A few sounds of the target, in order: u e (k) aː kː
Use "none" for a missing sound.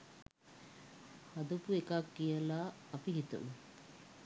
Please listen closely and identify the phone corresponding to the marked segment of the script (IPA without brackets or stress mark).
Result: k